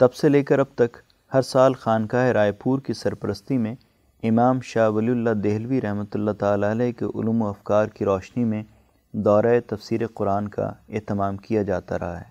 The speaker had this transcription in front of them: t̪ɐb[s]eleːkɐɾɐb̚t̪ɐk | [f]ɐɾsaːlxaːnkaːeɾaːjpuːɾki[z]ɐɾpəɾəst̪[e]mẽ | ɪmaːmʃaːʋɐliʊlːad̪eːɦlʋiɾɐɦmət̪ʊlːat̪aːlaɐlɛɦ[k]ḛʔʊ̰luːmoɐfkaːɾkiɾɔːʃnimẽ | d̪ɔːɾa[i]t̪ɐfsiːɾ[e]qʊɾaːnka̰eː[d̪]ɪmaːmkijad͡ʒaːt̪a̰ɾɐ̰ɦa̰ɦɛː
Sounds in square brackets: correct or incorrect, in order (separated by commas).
correct, incorrect, incorrect, incorrect, correct, incorrect, correct, incorrect